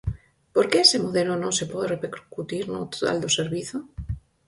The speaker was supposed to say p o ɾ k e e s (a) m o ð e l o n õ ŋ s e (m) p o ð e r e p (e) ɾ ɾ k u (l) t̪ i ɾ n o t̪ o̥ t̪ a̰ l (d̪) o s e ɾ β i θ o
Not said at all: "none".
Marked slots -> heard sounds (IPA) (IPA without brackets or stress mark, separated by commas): e, none, e, none, d̪